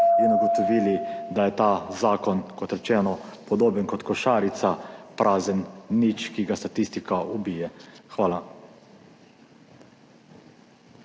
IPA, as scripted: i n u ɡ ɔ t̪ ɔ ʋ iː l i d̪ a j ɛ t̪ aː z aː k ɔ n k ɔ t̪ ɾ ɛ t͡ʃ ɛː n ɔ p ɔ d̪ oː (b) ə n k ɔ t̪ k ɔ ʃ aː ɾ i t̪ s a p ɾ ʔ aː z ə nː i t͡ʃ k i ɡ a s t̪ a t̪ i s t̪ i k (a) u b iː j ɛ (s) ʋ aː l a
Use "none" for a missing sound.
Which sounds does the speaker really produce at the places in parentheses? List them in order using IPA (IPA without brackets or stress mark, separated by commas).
b, a, x